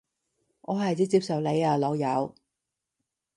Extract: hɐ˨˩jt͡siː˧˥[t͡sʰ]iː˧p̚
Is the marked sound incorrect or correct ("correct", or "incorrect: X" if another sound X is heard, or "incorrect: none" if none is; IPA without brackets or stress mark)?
incorrect: t͡s